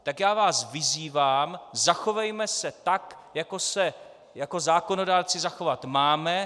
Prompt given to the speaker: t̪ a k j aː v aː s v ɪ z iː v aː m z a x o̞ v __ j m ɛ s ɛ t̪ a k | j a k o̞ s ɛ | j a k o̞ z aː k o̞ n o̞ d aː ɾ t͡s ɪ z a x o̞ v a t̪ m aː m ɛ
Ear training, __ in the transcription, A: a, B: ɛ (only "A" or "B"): B